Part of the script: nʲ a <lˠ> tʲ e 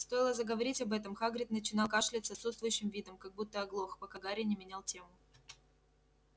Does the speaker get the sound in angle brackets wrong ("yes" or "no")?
no